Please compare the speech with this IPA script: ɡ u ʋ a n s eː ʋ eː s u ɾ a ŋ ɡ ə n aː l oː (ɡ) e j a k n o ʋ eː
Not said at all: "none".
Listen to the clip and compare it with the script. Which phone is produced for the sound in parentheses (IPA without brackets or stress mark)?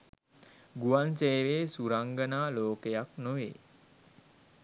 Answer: k